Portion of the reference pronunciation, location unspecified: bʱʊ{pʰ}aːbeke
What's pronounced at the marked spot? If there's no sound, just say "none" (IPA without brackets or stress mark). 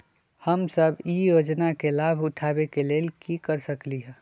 ʈʰ